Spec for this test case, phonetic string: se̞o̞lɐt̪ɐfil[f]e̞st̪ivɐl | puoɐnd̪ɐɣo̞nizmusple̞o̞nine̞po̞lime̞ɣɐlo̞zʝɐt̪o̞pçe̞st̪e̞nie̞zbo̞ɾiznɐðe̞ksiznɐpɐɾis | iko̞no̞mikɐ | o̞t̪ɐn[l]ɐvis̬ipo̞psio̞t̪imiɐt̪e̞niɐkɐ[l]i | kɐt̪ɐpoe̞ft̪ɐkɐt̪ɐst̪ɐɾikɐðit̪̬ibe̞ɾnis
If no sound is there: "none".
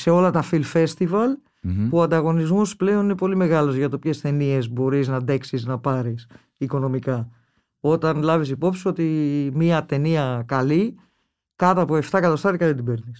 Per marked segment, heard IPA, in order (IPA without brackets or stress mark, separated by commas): f, l, l